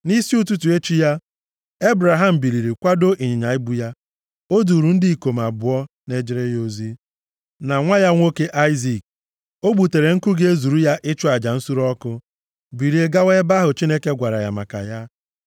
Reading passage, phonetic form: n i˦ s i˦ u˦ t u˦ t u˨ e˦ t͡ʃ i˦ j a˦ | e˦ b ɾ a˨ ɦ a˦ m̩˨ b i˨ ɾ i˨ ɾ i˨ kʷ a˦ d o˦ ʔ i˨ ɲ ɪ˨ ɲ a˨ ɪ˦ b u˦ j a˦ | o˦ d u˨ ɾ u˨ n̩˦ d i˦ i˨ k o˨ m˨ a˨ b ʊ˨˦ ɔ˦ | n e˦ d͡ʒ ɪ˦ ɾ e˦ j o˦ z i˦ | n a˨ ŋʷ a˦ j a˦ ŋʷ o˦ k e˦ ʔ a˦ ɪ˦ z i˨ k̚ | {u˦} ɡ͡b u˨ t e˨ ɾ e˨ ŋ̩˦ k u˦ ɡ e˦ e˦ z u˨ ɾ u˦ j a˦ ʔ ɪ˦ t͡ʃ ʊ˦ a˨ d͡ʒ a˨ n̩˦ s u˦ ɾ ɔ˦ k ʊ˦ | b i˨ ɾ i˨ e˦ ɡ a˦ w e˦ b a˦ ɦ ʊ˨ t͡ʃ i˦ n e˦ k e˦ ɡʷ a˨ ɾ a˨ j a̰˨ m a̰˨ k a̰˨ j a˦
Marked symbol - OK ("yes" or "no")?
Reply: no